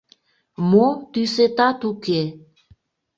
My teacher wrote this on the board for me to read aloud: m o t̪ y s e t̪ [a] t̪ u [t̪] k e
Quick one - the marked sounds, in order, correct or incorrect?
correct, incorrect: none

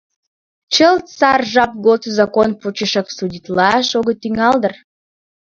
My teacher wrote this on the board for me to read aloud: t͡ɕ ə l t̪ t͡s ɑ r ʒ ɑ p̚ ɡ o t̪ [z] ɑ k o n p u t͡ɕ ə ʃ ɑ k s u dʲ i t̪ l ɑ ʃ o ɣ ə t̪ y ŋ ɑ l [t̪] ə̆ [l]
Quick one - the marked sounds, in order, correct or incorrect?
correct, incorrect: d̪, incorrect: r

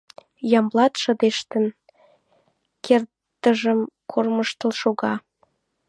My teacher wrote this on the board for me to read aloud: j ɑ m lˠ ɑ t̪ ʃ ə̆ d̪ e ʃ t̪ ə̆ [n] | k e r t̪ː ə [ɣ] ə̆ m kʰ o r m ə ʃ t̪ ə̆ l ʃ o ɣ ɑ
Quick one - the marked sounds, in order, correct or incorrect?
correct, incorrect: ʒ

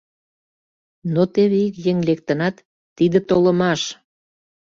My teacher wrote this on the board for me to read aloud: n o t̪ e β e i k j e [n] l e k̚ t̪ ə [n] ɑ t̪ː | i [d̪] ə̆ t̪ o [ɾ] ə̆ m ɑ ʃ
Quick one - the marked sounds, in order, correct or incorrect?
incorrect: ŋ, correct, correct, incorrect: l

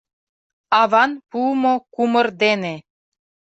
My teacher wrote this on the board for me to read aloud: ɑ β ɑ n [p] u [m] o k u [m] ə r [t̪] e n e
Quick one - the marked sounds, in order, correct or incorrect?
correct, correct, correct, incorrect: d̪

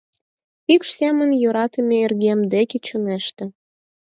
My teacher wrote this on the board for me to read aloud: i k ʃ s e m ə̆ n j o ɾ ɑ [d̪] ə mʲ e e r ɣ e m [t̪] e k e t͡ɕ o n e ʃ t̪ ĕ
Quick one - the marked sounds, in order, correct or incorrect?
incorrect: t̪, incorrect: d̪

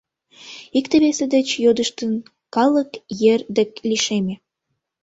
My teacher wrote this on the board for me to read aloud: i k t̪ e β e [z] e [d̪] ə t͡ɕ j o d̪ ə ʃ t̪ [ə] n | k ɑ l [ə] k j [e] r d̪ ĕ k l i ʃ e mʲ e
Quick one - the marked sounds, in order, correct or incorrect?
incorrect: s, correct, correct, correct, correct

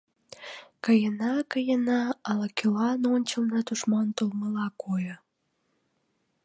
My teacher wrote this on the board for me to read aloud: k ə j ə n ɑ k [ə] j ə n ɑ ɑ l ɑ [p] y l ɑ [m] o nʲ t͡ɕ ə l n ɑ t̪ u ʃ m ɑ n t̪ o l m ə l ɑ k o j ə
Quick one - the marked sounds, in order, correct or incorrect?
correct, incorrect: k, incorrect: n

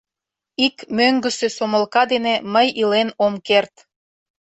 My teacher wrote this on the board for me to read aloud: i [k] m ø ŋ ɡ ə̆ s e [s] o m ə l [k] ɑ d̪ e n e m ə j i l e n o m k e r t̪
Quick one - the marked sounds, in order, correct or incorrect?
correct, correct, correct

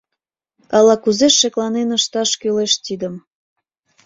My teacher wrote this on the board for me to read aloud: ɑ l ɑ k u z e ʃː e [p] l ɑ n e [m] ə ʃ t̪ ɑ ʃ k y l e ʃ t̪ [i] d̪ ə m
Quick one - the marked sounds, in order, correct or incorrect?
incorrect: k, incorrect: n, correct

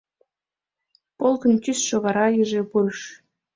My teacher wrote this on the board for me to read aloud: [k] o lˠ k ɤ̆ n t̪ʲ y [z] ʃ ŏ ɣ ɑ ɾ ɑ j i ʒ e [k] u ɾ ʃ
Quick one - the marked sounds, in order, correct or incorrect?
incorrect: p, incorrect: s, incorrect: p

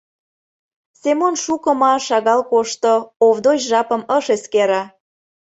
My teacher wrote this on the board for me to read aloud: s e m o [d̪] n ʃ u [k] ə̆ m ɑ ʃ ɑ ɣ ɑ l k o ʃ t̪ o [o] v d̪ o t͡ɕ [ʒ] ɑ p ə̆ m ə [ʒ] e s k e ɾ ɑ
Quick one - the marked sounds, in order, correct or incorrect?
incorrect: none, correct, correct, correct, incorrect: ʃ

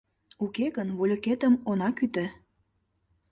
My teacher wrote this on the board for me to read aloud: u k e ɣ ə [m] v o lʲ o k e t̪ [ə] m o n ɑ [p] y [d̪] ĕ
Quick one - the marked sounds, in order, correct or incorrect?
incorrect: n, correct, incorrect: k, incorrect: t̪

